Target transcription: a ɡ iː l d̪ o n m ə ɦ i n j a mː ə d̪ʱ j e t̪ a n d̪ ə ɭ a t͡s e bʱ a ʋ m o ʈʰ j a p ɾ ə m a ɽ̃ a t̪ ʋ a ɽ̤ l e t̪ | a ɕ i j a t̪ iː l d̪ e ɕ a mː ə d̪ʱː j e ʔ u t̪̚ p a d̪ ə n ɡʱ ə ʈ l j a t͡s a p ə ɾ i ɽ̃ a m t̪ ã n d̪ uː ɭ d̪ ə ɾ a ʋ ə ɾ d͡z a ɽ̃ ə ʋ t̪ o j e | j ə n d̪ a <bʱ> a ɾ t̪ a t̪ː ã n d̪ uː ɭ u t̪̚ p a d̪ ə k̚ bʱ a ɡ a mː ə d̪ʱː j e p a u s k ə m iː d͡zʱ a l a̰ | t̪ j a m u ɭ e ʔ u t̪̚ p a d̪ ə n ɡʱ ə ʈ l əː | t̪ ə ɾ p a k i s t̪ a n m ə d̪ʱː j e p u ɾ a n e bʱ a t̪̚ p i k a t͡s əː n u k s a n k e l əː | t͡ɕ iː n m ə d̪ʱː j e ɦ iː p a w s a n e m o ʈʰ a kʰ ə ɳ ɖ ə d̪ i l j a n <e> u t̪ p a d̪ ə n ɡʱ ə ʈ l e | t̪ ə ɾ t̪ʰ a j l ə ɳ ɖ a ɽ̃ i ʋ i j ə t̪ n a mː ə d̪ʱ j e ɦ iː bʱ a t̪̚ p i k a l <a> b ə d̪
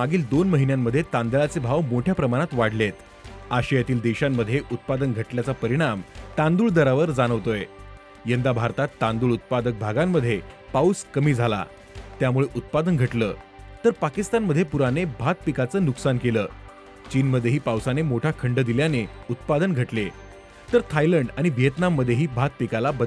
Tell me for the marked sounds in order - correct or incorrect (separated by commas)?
correct, correct, correct